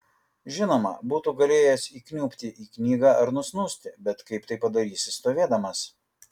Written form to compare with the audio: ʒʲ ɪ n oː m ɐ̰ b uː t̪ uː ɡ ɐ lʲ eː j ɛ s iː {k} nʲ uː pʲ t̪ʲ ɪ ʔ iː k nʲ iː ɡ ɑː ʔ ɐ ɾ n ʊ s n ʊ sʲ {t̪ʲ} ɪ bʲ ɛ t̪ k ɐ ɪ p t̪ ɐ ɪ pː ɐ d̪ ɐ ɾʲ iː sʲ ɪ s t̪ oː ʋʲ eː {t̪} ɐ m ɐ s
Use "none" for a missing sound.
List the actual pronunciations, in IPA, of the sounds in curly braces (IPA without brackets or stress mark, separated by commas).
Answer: k, t̪ʲ, d̪